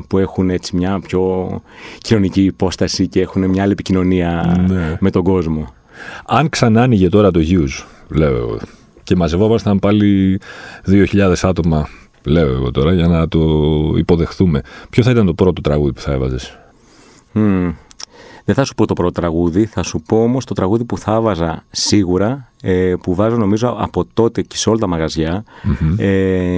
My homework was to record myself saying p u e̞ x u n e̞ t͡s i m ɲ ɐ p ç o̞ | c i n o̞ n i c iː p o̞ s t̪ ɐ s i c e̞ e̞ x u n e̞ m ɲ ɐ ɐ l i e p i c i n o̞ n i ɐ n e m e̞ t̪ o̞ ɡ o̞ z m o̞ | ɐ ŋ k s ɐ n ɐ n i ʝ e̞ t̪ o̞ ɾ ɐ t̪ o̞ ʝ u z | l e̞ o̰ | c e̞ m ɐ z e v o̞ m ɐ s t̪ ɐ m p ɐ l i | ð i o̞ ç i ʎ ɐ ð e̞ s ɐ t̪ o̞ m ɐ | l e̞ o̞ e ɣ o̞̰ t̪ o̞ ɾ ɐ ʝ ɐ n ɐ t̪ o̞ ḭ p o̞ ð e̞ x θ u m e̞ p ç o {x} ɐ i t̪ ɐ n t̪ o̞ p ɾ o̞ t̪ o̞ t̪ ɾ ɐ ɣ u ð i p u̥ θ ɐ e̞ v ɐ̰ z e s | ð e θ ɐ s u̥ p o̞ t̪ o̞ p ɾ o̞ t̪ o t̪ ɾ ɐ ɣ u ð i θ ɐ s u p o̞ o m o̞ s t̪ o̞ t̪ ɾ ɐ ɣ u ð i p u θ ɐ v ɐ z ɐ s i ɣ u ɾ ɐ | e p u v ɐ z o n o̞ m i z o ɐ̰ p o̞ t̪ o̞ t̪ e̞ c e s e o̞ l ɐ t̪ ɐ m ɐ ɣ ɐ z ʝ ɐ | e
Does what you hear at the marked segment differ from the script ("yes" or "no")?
yes